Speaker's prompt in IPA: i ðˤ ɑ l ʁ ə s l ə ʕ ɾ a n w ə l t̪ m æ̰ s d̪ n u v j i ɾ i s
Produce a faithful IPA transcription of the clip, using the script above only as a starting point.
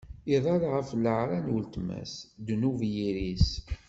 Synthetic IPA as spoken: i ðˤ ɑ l ʁ ə f l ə ʕ ɾ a n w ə l t̪ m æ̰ s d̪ n u v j i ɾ i s